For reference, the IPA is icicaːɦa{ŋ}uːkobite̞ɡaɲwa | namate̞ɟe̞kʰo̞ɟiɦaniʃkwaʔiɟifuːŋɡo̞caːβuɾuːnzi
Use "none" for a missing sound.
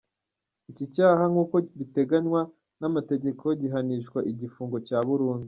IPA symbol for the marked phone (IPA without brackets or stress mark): ŋ